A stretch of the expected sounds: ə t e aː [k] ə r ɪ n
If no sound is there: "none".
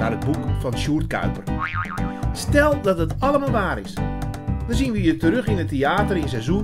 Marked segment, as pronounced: t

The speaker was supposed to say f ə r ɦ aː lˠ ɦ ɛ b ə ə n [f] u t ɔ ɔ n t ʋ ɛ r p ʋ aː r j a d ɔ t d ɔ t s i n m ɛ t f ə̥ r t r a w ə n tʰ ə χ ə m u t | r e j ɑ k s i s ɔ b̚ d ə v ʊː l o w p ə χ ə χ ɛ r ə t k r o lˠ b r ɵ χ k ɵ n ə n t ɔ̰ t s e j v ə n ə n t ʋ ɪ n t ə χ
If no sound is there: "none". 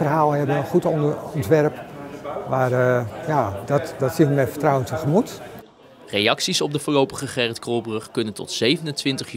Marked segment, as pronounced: χ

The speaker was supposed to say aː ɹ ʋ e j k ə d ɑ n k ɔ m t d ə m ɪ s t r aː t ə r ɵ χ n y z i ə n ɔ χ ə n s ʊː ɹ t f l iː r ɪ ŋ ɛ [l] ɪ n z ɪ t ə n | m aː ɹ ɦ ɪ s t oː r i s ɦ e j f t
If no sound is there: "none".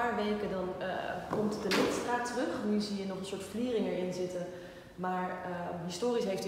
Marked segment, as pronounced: ɹ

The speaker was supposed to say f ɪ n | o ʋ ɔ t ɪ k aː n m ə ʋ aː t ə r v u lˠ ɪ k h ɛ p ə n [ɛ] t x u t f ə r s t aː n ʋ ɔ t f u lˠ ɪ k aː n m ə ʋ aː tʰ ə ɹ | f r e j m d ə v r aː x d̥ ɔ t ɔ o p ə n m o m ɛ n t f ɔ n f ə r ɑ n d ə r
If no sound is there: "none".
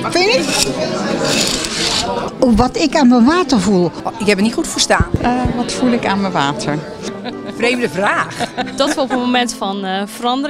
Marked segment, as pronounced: i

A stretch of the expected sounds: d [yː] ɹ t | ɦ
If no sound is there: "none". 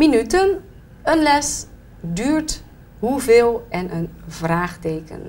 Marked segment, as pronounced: yː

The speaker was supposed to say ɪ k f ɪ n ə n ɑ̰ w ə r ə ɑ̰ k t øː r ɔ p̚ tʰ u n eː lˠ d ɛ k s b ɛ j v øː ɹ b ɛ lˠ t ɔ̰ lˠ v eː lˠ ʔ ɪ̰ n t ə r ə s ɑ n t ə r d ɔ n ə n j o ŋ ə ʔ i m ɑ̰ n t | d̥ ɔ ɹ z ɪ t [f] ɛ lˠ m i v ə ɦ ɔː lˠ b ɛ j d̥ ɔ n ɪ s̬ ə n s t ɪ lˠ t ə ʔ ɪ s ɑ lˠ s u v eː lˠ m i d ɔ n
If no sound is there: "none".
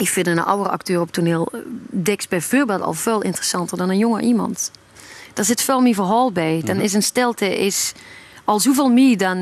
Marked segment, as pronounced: f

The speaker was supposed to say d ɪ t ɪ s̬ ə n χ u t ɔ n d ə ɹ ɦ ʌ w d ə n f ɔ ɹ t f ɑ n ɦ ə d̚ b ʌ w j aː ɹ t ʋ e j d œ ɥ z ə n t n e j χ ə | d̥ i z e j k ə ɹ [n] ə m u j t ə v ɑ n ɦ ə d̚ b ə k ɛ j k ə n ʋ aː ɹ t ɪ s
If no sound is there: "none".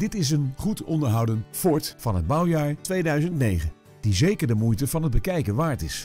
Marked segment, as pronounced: d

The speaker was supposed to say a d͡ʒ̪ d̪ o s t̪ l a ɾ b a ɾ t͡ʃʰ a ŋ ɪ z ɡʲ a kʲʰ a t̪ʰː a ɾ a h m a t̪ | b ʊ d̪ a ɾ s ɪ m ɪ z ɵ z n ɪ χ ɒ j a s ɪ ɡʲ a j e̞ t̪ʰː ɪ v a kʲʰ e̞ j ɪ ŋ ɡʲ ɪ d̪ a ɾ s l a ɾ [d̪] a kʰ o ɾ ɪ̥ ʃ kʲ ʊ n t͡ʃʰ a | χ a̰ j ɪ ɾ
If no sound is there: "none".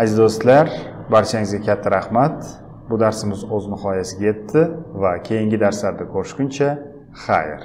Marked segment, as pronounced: d̪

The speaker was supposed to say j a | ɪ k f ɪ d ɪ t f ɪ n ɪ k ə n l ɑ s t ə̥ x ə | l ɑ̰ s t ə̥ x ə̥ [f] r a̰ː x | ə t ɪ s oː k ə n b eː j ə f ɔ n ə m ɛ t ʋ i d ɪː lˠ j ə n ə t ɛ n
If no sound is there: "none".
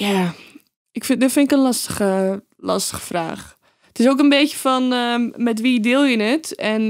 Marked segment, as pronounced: f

